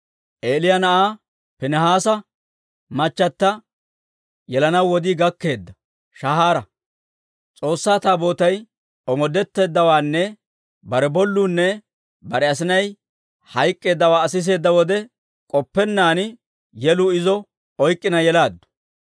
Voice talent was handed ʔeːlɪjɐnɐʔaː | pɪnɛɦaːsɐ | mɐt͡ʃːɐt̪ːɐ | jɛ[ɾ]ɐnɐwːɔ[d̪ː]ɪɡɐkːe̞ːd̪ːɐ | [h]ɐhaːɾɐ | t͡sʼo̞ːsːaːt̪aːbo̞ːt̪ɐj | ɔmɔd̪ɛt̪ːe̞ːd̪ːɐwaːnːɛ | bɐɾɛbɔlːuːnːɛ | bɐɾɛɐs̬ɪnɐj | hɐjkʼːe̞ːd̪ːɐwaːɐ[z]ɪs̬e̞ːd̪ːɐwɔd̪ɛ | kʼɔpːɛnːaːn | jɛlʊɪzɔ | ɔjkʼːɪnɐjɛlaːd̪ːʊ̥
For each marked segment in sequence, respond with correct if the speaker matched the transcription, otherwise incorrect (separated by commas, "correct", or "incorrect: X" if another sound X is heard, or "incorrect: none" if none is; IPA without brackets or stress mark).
incorrect: l, incorrect: d̪, incorrect: ʃ, incorrect: s